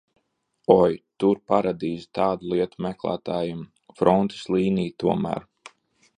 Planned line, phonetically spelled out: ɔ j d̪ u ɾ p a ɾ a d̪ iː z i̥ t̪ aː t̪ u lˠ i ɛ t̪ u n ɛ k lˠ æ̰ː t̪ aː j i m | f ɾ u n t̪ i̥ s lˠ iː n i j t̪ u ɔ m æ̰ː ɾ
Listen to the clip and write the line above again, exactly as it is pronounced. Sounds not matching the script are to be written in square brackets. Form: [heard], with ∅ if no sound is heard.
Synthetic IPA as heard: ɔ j [t̪] u ɾ p a ɾ a d̪ iː z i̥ t̪ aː [d̪] u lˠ i ɛ t̪ u [m] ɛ k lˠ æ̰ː t̪ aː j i m | f ɾ [ɔ] n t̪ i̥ s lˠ iː n i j t̪ u ɔ m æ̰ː ɾ